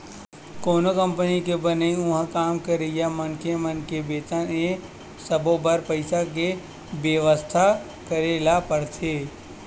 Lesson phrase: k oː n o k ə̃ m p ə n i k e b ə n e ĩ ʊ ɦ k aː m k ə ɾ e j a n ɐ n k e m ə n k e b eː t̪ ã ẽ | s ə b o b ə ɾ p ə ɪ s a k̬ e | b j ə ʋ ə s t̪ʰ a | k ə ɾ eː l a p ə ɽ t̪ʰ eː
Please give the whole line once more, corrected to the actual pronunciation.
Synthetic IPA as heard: k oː n o k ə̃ m p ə n i k e b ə n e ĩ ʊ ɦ k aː m k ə ɾ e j a m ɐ n k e m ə n k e b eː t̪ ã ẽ | s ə b o b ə ɾ p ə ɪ s a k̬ e | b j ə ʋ ə s t̪ʰ a | k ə ɾ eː l a p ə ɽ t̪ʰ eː